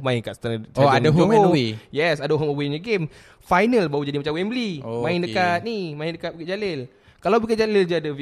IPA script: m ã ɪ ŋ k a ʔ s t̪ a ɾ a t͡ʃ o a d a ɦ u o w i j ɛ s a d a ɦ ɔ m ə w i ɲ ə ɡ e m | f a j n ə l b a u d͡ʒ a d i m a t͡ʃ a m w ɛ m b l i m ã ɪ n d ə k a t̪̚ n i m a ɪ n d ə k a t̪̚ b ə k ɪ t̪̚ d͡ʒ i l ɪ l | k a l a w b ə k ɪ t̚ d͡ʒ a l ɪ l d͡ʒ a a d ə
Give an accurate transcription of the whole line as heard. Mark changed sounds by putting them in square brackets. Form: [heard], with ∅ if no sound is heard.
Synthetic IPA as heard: m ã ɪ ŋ k a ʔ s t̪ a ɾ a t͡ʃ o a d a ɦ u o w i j ɛ s a d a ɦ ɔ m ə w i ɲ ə ɡ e m | f a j n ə l b a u d͡ʒ a d i m a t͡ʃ a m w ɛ m b l i m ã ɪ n d ə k a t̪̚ n i m a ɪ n d ə k a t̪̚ b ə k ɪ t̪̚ d͡ʒ [a] l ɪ l | k a l a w b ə k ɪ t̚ d͡ʒ a l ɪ l d͡ʒ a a d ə